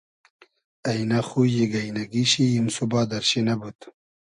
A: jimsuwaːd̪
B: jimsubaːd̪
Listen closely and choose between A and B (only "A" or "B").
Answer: B